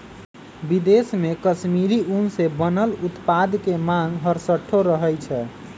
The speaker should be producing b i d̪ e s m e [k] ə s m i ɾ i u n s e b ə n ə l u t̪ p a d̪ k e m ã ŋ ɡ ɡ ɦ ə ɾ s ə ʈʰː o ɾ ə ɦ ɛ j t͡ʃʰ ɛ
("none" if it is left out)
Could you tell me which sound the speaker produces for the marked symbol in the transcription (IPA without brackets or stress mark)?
k